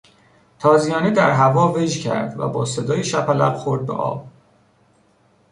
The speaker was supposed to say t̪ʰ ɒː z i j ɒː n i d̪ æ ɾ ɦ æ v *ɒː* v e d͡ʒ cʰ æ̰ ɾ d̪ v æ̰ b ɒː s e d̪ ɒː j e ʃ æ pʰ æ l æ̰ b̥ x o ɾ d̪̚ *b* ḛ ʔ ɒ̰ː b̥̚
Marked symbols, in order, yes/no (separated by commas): yes, yes